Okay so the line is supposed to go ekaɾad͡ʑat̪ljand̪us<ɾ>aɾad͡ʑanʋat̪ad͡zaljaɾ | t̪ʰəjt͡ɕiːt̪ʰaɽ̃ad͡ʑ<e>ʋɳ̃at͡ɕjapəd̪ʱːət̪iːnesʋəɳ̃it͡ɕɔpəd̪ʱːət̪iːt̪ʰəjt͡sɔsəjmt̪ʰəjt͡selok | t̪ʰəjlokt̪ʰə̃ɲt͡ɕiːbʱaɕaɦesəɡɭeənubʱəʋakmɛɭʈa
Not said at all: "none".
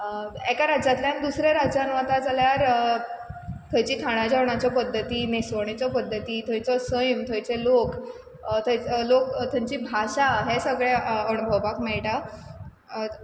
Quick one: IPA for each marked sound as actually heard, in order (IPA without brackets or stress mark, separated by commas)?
ɾ, a